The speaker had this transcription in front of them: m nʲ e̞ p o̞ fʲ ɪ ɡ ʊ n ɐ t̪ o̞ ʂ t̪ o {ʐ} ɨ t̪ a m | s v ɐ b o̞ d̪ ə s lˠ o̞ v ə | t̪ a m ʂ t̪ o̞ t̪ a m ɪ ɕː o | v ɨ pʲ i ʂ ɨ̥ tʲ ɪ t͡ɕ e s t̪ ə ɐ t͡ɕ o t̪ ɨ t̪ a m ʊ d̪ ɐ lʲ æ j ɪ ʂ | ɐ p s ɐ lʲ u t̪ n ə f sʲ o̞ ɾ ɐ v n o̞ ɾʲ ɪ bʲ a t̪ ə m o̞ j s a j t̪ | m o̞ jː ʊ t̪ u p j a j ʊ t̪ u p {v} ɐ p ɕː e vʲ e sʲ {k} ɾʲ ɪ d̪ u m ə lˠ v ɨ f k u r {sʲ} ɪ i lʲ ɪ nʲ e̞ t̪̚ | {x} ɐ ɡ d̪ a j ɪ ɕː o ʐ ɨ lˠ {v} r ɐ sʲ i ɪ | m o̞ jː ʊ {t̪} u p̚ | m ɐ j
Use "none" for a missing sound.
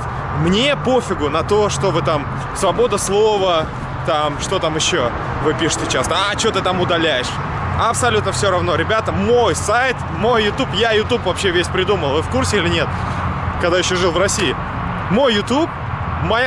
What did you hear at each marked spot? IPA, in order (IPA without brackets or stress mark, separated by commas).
v, v, p, sʲ, k, v, t̪